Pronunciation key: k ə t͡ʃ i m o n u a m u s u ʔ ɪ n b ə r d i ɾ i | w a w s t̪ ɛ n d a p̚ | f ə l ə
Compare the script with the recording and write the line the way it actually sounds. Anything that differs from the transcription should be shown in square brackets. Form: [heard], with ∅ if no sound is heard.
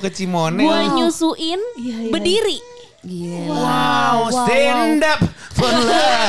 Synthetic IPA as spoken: k ə t͡ʃ i m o n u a [ɲ] u s u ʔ ɪ n b ə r d i ɾ i | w a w s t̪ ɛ n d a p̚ | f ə l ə